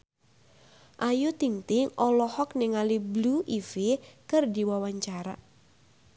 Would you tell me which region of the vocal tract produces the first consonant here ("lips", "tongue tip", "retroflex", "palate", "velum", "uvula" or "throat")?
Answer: throat